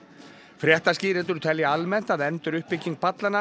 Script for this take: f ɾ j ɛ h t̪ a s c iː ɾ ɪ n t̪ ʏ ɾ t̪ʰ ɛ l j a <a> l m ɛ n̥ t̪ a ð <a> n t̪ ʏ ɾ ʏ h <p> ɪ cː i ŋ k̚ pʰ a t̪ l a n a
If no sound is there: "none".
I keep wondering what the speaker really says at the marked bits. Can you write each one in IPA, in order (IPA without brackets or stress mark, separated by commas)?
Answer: a, ɛ, p